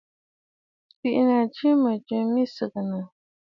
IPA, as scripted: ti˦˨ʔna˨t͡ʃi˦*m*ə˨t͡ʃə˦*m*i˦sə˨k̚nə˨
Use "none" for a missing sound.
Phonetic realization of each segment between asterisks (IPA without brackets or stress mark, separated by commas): m, m